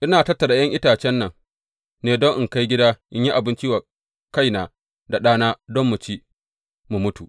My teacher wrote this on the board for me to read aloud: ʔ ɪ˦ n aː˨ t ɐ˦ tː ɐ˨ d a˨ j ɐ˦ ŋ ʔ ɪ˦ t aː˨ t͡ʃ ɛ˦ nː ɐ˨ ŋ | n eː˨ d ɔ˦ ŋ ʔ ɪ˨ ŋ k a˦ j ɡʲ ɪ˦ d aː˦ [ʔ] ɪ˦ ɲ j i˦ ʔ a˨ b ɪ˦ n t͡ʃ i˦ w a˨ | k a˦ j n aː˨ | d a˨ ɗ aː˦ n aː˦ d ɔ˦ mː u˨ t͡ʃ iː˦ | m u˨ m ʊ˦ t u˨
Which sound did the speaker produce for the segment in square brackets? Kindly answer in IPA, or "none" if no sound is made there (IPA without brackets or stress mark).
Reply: ʔ